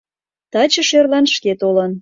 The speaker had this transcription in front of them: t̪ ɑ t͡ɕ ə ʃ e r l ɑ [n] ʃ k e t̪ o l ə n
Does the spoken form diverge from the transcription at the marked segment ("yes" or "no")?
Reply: no